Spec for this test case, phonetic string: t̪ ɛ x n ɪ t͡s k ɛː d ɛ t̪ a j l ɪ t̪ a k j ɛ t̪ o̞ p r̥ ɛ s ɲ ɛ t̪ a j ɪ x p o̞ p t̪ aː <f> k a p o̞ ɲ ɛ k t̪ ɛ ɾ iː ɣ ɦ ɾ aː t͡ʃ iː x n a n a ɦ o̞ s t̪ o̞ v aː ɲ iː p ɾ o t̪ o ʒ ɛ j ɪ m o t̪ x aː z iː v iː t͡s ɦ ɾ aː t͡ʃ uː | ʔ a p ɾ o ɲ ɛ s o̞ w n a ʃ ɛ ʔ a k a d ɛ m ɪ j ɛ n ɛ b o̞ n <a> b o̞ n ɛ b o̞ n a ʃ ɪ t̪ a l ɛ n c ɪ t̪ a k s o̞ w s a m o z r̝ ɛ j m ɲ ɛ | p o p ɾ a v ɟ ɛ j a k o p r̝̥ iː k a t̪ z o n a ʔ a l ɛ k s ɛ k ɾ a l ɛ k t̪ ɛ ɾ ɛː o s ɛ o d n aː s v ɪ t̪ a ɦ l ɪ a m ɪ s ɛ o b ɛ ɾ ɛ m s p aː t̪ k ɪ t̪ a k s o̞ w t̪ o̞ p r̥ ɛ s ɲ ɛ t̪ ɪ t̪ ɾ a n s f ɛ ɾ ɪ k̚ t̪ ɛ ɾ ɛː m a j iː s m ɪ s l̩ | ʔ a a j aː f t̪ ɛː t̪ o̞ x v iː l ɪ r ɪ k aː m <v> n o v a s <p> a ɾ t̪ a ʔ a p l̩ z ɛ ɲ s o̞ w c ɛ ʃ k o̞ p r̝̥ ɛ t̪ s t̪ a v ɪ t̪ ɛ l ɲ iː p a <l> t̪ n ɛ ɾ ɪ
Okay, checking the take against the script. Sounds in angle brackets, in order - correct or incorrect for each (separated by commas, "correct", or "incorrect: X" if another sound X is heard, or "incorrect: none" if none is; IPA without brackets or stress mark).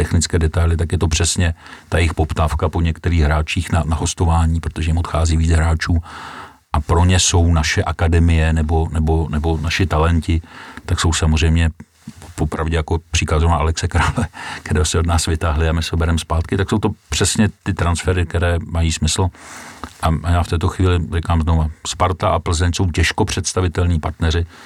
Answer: correct, incorrect: ɛ, incorrect: z, correct, incorrect: ɾ